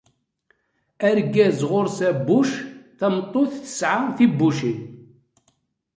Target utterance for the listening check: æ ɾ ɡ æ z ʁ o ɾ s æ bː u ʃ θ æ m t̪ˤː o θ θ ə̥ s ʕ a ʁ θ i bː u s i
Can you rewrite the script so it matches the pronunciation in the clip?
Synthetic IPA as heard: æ ɾ ɡ æ z ʁ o ɾ s æ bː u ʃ θ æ m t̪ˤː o θ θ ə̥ s ʕ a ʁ θ i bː u ʃ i